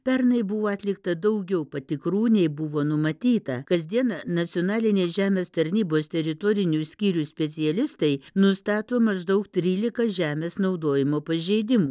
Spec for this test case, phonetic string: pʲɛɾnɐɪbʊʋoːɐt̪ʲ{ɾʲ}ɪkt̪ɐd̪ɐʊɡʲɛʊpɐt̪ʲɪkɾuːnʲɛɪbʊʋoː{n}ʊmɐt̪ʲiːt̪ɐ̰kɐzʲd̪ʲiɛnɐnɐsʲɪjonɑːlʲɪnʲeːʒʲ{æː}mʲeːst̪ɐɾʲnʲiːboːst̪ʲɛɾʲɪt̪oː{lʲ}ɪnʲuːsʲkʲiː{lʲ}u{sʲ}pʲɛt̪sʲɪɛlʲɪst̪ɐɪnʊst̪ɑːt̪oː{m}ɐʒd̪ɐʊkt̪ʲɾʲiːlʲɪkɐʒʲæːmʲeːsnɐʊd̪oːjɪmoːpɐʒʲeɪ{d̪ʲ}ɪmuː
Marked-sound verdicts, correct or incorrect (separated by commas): incorrect, correct, correct, incorrect, incorrect, correct, correct, correct